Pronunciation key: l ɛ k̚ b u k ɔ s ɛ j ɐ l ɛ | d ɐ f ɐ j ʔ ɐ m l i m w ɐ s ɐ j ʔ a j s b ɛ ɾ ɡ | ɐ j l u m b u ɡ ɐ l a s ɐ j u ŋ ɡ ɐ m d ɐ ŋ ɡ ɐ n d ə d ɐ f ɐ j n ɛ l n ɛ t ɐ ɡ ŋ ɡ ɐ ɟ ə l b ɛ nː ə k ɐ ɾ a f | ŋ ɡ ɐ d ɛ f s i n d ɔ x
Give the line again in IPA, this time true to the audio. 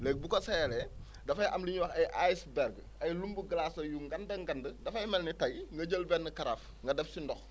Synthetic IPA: l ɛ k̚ b u k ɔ s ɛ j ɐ l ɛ | d ɐ f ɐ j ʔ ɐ m l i ɲ w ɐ x ɐ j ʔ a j s b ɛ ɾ ɡ | ɐ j l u m b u ɡ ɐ l a s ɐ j u ŋ ɡ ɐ n d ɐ ŋ ɡ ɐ n d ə d ɐ f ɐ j m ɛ l n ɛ t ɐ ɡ ŋ ɡ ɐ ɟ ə l b ɛ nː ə k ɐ ɾ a f | ŋ ɡ ɐ d ɛ f s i n d ɔ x